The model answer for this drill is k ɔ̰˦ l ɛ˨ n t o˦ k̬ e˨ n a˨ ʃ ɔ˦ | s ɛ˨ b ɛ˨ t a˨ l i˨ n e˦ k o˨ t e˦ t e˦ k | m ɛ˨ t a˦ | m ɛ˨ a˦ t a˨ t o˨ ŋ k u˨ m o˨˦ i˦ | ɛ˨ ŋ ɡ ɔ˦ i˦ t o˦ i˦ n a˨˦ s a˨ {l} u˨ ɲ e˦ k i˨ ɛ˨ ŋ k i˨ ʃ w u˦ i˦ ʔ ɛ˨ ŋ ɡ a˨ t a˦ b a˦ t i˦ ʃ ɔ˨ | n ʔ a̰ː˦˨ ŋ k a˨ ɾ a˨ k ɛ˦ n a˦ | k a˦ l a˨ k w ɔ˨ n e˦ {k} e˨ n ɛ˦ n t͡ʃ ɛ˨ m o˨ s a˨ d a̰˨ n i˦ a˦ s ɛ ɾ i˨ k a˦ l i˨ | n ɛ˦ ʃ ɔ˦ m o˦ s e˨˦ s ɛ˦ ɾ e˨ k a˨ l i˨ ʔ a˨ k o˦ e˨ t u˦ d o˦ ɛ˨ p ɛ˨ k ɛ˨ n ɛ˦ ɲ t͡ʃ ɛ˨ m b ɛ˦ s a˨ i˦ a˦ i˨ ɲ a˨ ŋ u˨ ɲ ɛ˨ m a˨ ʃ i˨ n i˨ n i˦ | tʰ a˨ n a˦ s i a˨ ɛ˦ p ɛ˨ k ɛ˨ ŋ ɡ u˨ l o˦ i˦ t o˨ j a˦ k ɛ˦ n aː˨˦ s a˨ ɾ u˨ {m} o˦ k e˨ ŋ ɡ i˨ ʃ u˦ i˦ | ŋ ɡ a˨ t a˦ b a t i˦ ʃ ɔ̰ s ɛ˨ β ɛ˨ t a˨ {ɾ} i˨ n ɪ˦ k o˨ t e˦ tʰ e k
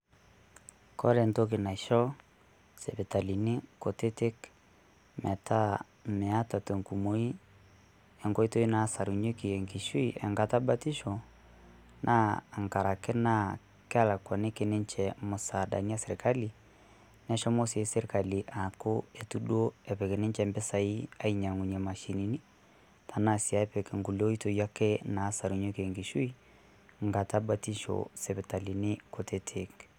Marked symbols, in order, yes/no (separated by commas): no, yes, no, no